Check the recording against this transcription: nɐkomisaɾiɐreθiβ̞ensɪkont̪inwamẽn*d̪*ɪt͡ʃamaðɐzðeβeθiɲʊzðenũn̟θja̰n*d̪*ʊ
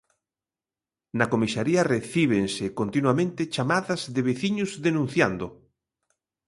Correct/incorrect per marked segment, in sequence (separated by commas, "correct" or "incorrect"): incorrect, correct